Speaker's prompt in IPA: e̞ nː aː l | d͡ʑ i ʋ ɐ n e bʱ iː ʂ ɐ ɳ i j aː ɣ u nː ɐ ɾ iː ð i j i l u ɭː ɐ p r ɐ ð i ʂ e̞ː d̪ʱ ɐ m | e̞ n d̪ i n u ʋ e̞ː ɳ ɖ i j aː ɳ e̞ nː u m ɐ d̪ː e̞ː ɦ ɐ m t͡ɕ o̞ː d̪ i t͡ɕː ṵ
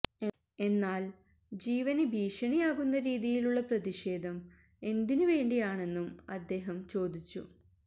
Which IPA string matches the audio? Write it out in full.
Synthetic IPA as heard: e̞ nː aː l | d͡ʑ iː ʋ ɐ n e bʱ iː ʂ ɐ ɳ i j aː ɣ u nː ɐ ɾ iː ð i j i l u ɭː ɐ p r ɐ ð i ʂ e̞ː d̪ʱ ɐ m | e̞ n d̪ i n u ʋ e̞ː ɳ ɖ i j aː ɳ e̞ nː u m ɐ d̪ː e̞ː ɦ ɐ m t͡ɕ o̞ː d̪ i t͡ɕː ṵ